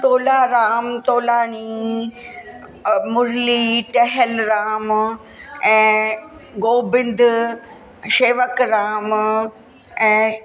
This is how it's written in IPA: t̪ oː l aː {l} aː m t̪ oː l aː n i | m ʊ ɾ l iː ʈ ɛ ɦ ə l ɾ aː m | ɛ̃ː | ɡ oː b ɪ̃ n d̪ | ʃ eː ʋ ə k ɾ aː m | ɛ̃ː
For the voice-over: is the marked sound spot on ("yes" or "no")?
no